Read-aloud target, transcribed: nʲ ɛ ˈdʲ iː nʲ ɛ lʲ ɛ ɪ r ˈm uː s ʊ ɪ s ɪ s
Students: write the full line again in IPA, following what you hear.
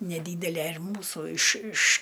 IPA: nʲ ɛ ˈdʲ iː dʲ ɛ lʲ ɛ ɪ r ˈm uː s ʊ ɪ ʃ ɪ ʃ